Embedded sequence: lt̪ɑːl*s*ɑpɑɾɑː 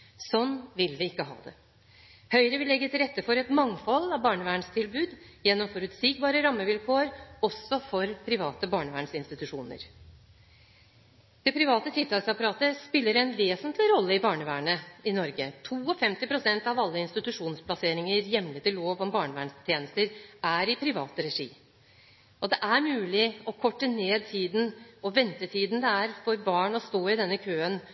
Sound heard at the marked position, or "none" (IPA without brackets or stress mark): s